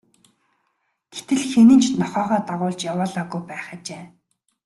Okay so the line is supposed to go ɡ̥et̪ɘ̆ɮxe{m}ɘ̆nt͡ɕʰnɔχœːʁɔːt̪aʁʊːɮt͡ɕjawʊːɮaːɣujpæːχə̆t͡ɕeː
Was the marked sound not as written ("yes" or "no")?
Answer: yes